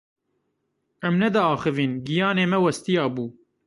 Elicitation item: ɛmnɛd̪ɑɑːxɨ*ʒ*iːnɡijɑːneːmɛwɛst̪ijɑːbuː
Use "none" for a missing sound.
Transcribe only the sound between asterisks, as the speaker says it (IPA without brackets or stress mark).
v